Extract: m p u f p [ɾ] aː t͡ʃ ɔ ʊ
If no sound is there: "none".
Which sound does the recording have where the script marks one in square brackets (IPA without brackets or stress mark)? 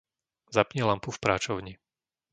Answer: ɾ